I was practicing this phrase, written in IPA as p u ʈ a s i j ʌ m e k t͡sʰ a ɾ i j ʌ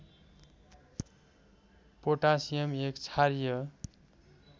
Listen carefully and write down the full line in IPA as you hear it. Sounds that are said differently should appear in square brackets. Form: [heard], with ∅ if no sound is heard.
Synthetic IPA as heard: p [o] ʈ a s i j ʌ m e k t͡sʰ a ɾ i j ʌ

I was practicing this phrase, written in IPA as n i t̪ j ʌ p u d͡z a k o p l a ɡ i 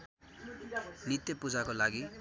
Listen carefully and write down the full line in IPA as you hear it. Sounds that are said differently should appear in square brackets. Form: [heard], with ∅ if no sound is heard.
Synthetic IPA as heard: n i t̪ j ʌ p u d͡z a k o [∅] l a ɡ i

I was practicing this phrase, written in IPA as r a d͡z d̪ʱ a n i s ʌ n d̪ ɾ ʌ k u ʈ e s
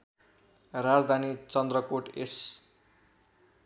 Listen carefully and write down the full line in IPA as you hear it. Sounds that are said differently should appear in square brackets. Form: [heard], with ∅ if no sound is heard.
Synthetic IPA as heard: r a d͡z d̪ʱ a n i [t͡s] ʌ n d̪ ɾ ʌ k [o] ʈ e s

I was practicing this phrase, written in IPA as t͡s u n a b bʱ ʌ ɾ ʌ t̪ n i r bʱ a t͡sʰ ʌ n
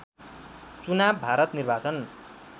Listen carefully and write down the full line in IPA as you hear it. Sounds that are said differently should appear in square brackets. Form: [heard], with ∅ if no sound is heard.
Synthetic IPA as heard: t͡s u n a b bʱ [a] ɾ ʌ t̪ n i r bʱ a [t͡s] ʌ n

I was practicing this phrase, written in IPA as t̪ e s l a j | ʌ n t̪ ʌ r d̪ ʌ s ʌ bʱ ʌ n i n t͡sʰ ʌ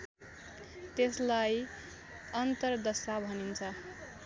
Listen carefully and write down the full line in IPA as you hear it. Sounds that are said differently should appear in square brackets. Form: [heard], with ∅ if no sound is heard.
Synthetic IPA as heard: t̪ e s l a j | ʌ n t̪ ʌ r d̪ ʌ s [a] bʱ ʌ n i n t͡sʰ ʌ

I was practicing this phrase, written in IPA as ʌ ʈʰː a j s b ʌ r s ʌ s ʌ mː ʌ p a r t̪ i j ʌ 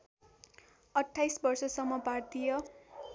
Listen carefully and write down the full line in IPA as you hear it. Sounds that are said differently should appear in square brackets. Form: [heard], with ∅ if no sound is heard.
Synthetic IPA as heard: ʌ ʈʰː a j s b ʌ r s ʌ s ʌ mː ʌ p a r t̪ i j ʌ

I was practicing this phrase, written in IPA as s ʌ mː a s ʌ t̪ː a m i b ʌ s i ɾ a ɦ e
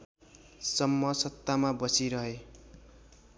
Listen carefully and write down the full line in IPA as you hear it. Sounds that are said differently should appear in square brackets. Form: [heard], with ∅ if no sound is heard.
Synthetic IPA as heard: s ʌ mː [ʌ] s ʌ t̪ː a m [a] b ʌ s i ɾ [ʌ] ɦ e

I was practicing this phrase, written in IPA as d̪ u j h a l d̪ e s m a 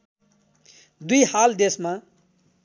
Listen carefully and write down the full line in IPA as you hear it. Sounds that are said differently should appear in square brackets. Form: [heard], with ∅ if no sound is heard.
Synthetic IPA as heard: d̪ u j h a l d̪ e s m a

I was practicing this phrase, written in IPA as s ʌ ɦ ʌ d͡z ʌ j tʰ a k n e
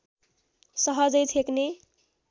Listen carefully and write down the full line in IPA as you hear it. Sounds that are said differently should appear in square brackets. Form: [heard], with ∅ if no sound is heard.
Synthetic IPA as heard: s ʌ ɦ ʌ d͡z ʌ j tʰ [e] k n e

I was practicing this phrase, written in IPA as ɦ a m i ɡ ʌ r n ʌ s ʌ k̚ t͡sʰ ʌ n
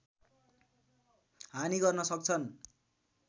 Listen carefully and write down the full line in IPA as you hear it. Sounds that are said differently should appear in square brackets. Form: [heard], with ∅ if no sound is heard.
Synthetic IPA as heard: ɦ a [n] i ɡ ʌ r n ʌ s ʌ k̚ t͡sʰ ʌ n

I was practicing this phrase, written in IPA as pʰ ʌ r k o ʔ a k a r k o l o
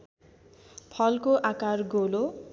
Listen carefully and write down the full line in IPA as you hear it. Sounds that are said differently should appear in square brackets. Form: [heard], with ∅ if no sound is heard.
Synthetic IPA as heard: pʰ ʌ [l] k o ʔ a k a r [ɡ] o l o

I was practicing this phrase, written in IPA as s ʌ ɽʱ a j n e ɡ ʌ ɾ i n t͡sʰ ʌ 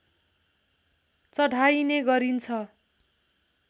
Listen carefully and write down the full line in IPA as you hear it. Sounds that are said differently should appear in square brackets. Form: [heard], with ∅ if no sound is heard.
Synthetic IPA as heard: [t͡s] ʌ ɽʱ a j n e ɡ ʌ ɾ i n t͡sʰ ʌ

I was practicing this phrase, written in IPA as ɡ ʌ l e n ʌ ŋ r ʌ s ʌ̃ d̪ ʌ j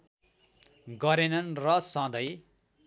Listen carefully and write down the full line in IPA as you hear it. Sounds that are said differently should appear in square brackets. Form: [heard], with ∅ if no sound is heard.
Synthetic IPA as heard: ɡ ʌ [ɾ] e n ʌ [n] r ʌ s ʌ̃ d̪ ʌ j

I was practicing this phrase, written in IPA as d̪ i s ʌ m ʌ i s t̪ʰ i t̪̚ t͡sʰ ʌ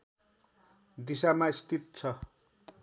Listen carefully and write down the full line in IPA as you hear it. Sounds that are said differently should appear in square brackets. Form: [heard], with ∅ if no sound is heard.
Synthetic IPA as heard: d̪ i s [a] m [a] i s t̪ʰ i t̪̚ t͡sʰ ʌ

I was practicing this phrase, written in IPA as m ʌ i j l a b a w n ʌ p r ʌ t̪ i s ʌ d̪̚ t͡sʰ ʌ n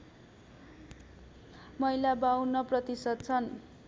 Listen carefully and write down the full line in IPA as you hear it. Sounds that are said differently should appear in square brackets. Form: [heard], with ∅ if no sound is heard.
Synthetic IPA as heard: m ʌ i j l a b a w n ʌ p r ʌ t̪ i s ʌ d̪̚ t͡sʰ ʌ n

